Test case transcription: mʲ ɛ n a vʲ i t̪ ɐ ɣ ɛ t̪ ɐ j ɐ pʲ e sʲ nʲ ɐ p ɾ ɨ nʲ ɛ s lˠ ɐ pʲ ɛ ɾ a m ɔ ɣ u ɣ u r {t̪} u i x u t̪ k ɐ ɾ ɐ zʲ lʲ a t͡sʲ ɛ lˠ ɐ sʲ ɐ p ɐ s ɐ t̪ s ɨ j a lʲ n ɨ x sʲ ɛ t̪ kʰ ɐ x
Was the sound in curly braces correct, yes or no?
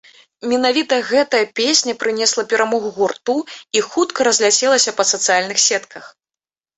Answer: yes